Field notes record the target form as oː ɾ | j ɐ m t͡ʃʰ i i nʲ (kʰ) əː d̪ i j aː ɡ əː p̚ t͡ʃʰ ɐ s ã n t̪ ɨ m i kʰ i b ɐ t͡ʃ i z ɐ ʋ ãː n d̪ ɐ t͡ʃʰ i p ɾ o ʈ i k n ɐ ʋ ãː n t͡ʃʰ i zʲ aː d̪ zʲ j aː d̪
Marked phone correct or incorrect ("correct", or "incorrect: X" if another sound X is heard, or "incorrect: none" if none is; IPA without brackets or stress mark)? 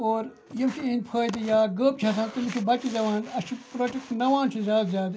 incorrect: pʰ